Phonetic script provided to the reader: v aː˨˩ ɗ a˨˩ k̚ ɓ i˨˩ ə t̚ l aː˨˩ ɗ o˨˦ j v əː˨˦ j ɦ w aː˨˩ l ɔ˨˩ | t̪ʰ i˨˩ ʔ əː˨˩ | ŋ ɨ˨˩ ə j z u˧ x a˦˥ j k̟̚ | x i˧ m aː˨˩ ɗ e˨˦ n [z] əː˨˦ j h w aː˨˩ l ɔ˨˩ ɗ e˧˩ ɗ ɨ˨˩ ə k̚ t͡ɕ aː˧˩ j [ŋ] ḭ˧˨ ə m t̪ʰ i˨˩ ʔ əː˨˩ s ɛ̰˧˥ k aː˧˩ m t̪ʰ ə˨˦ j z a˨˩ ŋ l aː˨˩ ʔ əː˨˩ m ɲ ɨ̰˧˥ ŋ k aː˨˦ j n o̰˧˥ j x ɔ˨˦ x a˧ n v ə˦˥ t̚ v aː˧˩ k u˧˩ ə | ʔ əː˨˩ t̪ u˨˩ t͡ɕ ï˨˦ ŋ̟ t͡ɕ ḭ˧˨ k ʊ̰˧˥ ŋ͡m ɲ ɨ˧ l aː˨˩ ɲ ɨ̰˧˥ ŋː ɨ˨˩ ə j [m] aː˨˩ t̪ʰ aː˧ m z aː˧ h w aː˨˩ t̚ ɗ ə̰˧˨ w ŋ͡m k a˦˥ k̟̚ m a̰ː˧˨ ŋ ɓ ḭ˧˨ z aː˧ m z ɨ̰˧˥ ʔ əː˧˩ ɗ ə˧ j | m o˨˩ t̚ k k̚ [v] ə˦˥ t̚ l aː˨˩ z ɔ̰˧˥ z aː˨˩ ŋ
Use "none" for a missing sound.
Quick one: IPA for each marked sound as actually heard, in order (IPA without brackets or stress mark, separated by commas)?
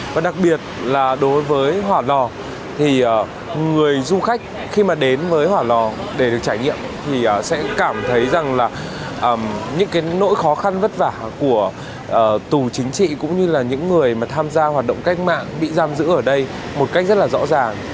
v, ɲ, m, z